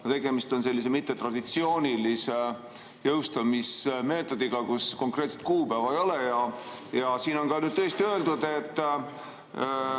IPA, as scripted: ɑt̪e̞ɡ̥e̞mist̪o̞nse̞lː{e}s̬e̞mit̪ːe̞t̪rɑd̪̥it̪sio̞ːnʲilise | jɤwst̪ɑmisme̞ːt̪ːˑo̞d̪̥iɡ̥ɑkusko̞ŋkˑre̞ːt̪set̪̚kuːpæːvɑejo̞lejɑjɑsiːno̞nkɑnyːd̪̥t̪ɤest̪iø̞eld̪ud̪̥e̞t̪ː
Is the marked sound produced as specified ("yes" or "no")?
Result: no